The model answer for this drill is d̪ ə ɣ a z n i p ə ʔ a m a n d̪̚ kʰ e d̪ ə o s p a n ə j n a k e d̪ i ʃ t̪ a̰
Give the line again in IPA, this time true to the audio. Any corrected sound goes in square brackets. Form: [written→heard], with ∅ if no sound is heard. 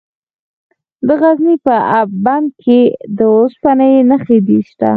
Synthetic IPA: d̪ ə ɣ a z n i p ə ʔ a [m→b] a n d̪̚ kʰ e d̪ ə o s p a n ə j n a [k→x] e d̪ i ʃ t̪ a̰